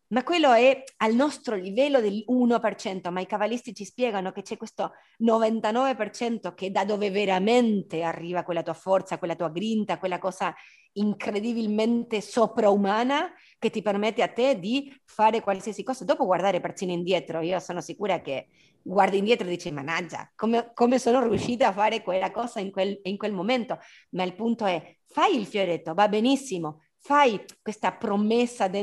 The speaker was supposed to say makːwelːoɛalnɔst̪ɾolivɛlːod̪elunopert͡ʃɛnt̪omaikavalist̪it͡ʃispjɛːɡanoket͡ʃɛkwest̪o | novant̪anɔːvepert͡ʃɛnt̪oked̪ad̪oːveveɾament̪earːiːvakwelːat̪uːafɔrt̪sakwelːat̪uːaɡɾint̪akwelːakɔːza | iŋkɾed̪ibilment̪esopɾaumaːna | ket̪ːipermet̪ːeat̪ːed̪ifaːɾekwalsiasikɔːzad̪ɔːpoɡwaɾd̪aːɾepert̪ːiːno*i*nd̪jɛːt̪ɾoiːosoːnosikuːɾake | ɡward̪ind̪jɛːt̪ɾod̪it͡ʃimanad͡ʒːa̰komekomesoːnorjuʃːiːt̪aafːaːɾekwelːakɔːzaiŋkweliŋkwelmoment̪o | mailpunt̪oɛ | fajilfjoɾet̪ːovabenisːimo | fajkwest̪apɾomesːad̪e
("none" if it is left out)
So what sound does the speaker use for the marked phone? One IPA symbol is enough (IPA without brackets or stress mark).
i